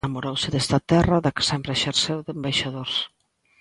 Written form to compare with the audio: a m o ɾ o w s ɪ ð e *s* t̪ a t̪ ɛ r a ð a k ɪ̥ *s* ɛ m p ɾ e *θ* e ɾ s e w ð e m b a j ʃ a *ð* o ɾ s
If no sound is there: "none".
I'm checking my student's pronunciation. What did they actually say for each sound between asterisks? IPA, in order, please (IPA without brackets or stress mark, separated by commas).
s, s, ʃ, ð